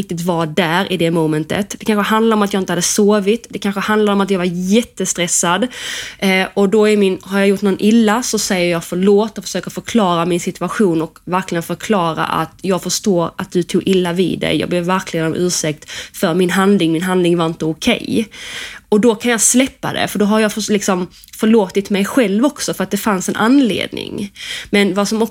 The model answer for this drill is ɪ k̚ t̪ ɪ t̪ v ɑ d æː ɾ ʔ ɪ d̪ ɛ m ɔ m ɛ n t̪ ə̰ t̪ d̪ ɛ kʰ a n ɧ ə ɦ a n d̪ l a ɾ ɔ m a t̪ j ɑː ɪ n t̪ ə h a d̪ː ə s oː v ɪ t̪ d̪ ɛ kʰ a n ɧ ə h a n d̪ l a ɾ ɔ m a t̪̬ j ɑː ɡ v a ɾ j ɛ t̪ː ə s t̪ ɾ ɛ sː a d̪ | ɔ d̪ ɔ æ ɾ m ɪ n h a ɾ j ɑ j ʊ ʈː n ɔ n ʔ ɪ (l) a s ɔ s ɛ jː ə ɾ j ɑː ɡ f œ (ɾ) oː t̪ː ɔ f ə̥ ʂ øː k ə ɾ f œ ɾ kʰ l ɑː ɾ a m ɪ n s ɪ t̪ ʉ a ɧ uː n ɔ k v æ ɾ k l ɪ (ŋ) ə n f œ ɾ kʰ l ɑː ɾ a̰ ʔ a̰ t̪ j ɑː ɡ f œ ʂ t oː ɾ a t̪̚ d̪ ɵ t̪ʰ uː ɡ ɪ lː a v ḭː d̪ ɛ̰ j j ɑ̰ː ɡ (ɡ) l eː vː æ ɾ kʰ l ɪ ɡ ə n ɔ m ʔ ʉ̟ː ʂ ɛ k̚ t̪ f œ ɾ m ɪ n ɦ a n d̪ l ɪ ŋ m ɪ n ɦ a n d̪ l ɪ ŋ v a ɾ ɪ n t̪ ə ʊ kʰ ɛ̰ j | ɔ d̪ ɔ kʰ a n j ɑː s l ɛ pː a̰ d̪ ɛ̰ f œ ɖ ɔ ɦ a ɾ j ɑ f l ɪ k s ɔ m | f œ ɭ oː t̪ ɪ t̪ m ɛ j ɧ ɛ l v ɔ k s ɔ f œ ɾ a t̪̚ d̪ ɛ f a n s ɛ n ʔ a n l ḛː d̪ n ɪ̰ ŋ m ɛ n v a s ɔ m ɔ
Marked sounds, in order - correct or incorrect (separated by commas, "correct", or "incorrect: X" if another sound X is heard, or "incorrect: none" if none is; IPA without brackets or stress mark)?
incorrect: lː, incorrect: ɭ, incorrect: ɡ, incorrect: b